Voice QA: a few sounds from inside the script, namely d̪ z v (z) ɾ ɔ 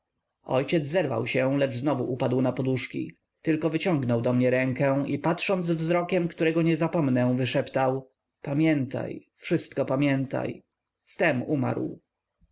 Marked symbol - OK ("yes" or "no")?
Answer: yes